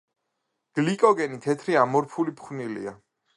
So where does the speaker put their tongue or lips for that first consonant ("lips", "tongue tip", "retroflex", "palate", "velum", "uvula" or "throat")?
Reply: velum